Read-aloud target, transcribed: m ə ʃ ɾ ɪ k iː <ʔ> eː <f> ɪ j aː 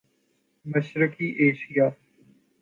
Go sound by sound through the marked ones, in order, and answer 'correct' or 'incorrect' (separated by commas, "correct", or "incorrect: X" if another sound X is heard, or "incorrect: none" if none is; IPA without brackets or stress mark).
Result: correct, incorrect: ʃ